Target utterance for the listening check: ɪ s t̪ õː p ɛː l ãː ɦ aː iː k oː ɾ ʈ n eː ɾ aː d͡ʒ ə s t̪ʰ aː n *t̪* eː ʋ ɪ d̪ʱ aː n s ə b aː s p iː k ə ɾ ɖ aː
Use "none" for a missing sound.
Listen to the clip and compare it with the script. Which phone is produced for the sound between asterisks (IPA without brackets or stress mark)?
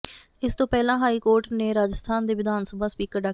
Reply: d̪